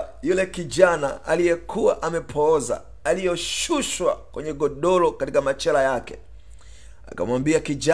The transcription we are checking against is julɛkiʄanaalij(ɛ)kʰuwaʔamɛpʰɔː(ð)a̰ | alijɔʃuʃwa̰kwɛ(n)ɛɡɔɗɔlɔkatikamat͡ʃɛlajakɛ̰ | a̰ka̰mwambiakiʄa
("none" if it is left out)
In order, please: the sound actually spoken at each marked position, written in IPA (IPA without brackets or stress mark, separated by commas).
ɛ, z, ɲ